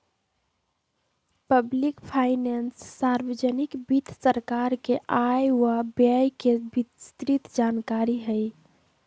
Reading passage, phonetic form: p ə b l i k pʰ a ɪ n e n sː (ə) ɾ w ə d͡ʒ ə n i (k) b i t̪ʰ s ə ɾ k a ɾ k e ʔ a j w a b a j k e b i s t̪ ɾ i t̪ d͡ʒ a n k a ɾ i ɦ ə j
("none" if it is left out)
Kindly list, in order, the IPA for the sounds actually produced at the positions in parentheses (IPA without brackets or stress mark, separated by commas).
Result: a, k